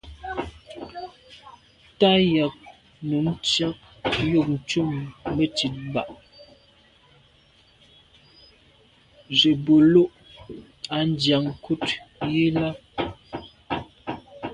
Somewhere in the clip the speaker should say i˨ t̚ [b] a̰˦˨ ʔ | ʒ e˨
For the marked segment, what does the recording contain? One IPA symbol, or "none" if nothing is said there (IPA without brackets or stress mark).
b